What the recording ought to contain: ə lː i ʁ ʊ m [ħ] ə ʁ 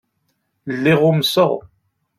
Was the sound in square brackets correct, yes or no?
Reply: no